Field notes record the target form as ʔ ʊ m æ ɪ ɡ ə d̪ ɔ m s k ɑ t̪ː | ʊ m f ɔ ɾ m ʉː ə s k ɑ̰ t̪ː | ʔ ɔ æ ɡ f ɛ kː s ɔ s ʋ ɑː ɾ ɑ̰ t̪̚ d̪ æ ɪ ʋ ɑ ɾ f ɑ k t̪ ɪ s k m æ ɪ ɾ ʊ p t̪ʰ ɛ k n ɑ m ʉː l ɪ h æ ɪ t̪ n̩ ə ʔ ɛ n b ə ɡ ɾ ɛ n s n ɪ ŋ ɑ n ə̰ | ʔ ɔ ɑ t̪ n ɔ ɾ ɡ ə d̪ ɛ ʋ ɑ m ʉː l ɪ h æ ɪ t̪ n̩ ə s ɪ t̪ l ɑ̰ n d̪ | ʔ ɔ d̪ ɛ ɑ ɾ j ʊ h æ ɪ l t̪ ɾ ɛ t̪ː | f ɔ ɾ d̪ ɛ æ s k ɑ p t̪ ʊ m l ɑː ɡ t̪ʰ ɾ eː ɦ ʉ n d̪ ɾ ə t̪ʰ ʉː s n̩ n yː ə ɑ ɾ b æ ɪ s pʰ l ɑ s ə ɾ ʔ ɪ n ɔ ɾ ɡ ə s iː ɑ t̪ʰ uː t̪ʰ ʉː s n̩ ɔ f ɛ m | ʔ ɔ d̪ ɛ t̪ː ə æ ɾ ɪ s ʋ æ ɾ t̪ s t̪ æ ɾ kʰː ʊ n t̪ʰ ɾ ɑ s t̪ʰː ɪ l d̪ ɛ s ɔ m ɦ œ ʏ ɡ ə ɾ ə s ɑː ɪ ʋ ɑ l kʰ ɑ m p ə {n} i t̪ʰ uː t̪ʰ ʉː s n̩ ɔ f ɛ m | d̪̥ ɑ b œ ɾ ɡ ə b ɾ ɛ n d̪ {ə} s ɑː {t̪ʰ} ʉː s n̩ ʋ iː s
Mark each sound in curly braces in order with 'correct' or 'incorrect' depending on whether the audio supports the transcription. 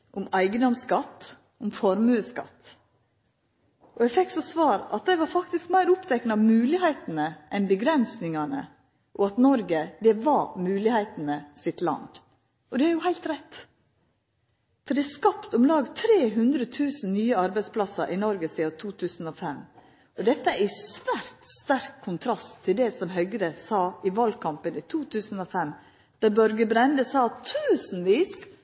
correct, correct, correct

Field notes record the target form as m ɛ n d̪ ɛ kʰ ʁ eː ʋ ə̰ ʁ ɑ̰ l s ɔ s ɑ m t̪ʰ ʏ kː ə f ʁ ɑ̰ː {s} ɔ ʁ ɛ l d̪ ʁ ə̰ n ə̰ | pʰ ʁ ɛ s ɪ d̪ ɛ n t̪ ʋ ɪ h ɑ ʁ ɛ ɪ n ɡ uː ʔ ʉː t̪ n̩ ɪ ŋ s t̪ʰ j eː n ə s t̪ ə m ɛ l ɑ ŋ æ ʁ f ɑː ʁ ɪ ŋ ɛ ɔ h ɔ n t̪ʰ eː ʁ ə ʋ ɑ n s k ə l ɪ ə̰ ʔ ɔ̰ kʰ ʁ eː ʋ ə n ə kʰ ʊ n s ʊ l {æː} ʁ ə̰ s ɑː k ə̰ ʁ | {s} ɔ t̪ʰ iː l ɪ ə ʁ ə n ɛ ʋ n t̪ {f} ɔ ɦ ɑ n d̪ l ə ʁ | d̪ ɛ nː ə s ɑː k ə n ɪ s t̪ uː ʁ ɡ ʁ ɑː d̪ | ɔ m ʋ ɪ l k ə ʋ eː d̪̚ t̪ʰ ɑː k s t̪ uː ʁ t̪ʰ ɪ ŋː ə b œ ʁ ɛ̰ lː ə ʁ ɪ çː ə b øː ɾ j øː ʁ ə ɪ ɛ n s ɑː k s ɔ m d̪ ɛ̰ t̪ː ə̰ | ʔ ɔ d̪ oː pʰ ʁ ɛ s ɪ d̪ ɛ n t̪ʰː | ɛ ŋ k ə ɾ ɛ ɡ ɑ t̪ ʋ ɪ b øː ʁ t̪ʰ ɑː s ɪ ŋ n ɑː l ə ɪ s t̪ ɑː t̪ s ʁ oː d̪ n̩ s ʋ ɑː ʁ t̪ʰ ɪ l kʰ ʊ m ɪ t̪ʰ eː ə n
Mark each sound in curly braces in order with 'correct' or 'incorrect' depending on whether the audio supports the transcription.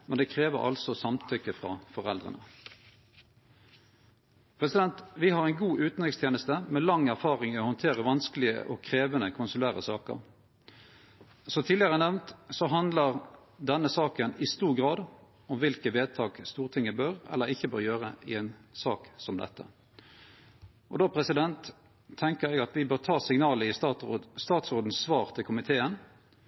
incorrect, correct, correct, incorrect

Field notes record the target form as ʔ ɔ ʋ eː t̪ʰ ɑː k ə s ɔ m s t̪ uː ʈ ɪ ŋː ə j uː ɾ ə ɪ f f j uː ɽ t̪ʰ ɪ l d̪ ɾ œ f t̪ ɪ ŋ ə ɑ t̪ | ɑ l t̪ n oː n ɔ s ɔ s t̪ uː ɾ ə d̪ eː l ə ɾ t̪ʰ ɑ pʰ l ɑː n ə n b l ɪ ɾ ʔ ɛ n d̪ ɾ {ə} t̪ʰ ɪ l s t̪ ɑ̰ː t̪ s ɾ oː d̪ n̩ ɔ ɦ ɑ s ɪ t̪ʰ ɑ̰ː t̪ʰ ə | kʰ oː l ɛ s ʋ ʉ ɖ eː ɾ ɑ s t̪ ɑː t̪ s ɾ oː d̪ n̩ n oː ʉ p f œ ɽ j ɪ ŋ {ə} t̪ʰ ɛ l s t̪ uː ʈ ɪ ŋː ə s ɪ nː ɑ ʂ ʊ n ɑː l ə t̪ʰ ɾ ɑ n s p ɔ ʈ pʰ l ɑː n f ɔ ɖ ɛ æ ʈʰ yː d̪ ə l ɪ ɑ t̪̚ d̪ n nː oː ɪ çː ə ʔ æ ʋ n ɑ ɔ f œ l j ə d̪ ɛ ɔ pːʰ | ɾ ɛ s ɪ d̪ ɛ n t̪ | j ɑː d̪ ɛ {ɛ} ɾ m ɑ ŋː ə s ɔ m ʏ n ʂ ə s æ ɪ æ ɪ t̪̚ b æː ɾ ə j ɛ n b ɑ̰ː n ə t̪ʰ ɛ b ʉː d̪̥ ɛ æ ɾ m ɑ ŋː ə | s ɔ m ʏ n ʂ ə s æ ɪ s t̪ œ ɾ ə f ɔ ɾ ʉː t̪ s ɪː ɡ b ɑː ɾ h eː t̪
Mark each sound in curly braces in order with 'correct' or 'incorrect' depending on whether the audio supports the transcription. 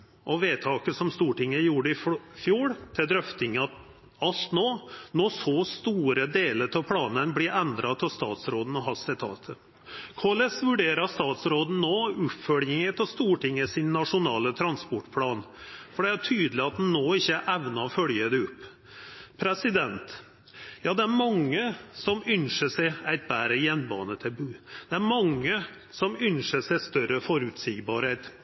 incorrect, correct, incorrect

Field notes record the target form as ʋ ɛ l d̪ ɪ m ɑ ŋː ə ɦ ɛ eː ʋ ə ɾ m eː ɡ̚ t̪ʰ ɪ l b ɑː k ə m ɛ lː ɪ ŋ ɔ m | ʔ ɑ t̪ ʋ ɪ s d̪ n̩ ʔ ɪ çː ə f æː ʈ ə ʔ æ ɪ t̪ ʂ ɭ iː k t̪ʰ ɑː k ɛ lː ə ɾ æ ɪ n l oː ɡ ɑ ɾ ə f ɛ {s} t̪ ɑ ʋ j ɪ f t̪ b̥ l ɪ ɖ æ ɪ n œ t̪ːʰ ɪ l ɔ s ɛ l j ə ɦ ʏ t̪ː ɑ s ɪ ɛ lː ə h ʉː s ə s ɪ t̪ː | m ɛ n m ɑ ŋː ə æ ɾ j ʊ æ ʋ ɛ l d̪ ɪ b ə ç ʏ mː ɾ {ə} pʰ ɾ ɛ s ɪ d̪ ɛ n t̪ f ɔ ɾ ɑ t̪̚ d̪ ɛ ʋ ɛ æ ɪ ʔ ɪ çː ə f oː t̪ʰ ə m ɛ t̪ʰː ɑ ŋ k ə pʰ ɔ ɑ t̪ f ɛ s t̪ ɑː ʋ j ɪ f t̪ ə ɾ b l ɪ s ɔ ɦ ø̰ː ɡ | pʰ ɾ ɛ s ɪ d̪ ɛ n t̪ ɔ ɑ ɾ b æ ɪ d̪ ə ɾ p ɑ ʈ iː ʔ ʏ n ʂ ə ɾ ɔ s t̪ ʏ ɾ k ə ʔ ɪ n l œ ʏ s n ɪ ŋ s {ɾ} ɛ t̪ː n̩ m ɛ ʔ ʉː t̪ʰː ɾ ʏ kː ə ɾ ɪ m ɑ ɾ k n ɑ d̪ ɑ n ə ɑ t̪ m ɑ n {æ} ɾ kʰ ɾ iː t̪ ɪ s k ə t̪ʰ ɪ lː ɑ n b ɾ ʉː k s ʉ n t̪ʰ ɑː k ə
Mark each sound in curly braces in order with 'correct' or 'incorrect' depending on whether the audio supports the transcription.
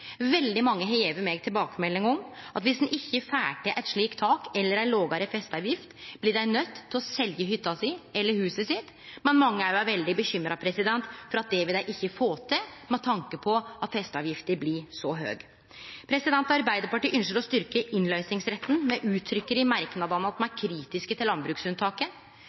correct, incorrect, correct, correct

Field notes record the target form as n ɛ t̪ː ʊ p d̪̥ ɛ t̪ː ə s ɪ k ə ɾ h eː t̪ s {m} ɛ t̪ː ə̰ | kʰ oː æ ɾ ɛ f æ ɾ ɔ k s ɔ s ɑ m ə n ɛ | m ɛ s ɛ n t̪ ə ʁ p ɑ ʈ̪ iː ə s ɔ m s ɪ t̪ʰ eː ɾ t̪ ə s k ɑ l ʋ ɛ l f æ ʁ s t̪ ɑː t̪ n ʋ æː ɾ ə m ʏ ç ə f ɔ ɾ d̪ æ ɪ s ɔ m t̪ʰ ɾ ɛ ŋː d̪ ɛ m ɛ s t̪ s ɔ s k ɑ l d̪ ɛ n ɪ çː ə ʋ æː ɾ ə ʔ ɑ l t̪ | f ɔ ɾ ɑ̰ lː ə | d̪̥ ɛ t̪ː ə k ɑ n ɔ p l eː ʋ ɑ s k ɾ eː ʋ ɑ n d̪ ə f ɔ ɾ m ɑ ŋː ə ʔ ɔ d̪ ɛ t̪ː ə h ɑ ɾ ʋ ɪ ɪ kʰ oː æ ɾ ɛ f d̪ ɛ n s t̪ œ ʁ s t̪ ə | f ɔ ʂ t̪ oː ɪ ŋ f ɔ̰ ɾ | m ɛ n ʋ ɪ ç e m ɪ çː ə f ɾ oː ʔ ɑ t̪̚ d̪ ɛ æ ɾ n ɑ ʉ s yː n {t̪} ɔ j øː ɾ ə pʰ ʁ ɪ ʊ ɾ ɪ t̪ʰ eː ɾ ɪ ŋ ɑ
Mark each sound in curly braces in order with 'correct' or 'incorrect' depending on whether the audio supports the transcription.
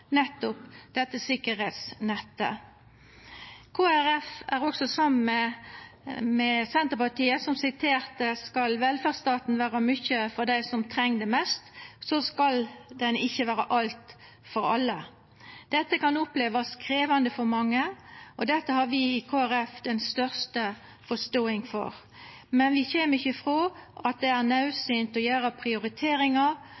incorrect, correct

